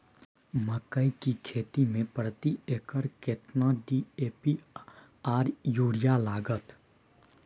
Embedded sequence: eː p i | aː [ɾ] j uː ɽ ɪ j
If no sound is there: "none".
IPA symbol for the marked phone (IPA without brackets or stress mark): ɾ